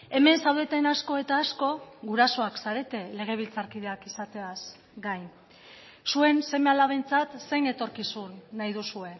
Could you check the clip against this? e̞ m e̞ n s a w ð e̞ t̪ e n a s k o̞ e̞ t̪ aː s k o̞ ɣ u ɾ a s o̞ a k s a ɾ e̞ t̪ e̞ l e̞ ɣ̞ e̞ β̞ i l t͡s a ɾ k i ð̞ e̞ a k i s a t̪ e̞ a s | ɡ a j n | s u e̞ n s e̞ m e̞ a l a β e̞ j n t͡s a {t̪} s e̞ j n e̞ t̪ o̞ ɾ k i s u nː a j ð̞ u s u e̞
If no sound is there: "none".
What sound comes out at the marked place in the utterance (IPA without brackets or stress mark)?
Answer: t̪